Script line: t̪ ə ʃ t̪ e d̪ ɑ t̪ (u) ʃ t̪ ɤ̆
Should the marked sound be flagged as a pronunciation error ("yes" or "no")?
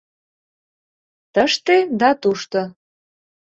no